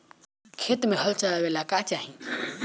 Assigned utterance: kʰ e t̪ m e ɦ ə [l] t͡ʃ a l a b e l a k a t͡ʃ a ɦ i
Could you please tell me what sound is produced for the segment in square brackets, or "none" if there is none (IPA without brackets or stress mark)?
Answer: l